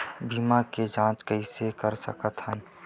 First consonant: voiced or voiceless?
voiced